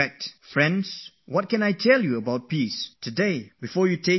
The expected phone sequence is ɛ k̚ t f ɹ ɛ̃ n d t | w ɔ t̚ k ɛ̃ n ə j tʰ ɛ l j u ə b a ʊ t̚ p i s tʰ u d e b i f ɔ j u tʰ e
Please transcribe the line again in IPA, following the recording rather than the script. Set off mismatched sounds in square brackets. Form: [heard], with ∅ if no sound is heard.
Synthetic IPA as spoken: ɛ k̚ t f ɹ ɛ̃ n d [s] | w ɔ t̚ k ɛ̃ n [a] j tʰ ɛ l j u ə b a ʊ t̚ p i s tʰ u d e b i f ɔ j u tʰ e